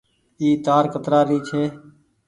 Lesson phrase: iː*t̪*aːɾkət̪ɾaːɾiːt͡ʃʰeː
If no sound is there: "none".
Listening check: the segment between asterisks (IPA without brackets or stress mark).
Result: t̪